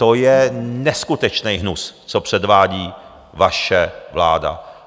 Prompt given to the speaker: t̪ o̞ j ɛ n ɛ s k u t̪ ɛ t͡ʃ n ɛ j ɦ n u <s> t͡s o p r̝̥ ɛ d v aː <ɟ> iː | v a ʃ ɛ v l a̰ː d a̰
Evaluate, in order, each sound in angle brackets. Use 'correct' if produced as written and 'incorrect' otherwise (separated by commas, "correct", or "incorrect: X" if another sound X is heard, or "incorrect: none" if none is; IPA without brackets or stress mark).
correct, correct